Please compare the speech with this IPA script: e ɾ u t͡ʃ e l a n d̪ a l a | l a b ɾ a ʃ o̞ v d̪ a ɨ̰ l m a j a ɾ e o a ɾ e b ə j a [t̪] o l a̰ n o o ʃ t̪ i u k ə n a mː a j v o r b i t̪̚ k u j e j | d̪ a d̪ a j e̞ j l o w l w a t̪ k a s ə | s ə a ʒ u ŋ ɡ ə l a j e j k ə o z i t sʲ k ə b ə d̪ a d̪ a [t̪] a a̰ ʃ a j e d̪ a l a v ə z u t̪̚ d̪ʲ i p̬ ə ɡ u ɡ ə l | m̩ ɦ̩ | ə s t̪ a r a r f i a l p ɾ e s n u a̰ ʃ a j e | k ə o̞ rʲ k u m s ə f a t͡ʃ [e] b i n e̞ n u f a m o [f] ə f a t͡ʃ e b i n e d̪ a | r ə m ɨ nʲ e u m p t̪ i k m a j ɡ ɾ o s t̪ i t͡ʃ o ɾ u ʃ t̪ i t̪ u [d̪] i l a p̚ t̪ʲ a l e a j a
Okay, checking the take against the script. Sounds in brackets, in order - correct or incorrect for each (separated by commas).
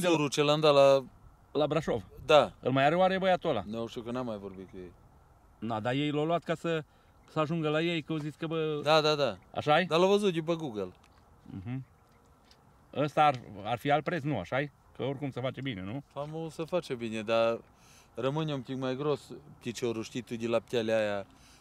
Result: correct, incorrect, correct, incorrect, correct